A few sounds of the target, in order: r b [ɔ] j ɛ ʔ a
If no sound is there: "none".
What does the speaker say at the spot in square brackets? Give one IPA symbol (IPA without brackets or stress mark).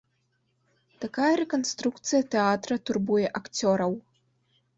u